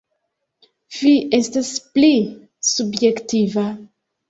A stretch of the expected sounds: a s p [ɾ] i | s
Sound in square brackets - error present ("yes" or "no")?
yes